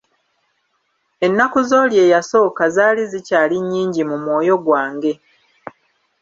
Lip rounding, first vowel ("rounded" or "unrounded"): unrounded